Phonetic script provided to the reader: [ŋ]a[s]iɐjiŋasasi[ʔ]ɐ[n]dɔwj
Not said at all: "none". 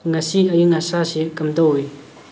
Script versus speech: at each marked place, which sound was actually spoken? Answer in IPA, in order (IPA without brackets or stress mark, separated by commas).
ŋ, s, k, m